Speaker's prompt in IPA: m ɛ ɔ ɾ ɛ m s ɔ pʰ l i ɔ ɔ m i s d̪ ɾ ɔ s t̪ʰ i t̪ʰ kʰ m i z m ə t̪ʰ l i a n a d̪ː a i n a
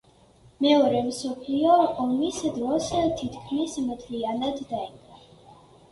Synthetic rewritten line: m ɛ ɔ ɾ ɛ m s ɔ pʰ l i ɔ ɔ m i s d̪ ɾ ɔ s t̪ʰ i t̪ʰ kʰ m i s m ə t̪ʰ l i a n a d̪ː a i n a